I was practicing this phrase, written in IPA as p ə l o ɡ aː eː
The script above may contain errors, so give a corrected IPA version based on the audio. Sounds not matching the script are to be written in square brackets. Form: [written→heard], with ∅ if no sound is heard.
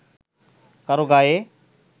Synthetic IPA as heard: [p→k] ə [l→ɾ] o ɡ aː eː